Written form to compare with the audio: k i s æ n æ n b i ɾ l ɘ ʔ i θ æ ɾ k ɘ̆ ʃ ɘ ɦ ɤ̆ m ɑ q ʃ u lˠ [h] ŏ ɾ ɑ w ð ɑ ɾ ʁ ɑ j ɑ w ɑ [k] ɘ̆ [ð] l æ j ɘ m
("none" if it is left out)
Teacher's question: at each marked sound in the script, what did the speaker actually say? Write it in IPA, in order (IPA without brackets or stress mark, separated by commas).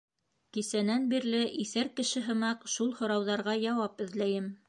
h, p, ð